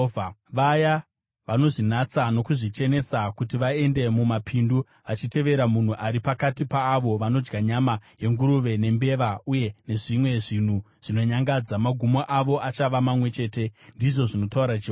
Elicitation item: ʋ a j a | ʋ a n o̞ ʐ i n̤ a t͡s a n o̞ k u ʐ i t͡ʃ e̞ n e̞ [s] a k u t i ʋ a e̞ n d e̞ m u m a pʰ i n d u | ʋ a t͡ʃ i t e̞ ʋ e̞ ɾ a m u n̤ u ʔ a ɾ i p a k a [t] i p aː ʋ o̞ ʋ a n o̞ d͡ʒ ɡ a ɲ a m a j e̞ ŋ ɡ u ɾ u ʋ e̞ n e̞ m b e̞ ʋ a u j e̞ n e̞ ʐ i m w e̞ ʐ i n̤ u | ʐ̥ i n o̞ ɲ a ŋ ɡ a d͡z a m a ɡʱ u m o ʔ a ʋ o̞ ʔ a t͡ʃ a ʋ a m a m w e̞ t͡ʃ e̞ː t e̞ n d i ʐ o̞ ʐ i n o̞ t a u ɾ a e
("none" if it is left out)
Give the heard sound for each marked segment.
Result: s, t

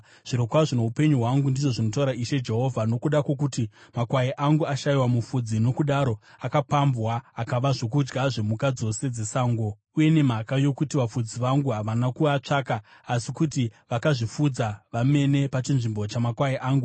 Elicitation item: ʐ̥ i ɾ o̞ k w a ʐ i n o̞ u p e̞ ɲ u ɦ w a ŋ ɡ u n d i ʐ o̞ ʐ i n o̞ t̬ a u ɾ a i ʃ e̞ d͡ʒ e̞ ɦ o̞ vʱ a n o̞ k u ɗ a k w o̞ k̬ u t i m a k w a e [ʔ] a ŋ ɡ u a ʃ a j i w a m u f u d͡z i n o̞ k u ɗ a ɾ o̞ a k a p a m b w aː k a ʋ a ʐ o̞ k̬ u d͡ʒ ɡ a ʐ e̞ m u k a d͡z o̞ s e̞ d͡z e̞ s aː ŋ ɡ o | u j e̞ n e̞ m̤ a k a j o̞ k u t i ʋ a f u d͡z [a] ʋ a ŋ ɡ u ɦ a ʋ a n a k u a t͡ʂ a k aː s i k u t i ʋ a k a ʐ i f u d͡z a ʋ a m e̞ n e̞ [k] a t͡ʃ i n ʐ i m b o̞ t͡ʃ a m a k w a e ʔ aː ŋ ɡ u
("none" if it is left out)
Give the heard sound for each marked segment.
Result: ʔ, i, p

